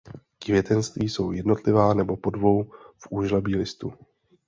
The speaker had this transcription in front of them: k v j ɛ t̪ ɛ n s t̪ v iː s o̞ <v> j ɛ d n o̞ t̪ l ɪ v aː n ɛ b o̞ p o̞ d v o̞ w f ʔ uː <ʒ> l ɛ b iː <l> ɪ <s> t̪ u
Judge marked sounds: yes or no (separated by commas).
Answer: no, yes, yes, yes